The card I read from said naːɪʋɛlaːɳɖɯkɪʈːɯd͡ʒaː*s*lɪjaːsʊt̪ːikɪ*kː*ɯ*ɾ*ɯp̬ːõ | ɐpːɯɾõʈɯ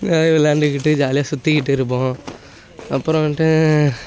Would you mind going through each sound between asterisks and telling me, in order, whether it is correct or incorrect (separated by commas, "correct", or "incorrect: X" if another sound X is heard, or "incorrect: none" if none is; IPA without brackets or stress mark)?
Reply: incorrect: none, incorrect: ʈː, correct